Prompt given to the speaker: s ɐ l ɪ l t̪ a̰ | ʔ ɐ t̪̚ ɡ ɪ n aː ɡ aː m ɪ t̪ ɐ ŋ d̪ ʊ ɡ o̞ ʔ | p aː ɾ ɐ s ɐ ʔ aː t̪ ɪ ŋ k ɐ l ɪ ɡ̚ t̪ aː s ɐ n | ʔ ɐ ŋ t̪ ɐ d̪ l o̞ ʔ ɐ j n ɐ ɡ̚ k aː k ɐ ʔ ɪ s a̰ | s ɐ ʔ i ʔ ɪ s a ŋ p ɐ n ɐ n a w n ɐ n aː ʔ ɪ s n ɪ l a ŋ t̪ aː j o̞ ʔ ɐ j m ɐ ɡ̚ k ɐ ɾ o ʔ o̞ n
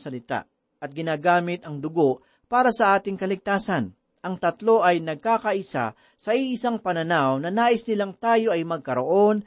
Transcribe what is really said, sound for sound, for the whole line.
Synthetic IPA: s ɐ l ɪ t̪ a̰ | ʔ ɐ t̪̚ ɡ ɪ n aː ɡ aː m ɪ t̪ ɐ ŋ d̪ ʊ ɡ o̞ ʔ | p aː ɾ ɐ s ɐ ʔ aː t̪ ɪ ŋ k ɐ l ɪ ɡ̚ t̪ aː s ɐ n | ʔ ɐ ŋ t̪ ɐ t̪ l o̞ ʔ ɐ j n ɐ ɡ̚ k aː k ɐ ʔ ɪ s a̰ | s ɐ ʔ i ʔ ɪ s a ŋ p ɐ n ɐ n a w n ɐ n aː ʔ ɪ s n ɪ l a ŋ t̪ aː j o̞ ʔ ɐ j m ɐ ɡ̚ k ɐ ɾ o ʔ o̞ n